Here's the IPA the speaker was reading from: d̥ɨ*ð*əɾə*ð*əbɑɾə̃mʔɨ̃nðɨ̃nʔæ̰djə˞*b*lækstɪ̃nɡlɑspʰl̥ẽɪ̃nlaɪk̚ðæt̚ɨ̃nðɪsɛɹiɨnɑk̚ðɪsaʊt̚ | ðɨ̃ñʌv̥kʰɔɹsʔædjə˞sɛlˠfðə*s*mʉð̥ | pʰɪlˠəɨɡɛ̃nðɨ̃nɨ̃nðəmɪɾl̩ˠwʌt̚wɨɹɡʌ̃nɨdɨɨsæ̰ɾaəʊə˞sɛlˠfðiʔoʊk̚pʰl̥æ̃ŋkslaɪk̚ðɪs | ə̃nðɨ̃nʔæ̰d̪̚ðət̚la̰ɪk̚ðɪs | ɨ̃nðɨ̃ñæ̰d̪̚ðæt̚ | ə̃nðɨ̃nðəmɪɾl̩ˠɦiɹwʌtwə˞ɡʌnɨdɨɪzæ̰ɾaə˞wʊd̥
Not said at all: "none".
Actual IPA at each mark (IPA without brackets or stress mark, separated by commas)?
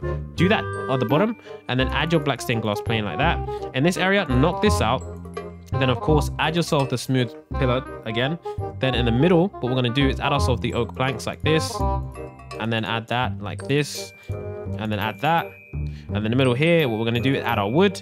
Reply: ð, ð, b, s